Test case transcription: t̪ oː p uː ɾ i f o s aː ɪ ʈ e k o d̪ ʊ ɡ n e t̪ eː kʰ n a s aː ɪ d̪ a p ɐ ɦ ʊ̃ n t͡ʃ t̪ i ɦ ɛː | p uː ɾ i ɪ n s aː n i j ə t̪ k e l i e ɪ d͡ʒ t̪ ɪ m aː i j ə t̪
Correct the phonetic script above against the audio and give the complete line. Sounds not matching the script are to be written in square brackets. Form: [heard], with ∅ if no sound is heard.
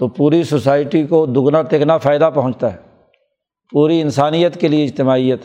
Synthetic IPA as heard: t̪ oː p uː ɾ i [s] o s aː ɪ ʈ [i] k o d̪ ʊ ɡ n [a] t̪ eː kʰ n a [f] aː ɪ d̪ a p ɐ ɦ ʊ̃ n t͡ʃ t̪ [a] ɦ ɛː | p uː ɾ i ɪ n s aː n i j ə t̪ k e l i e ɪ d͡ʒ t̪ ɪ m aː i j ə t̪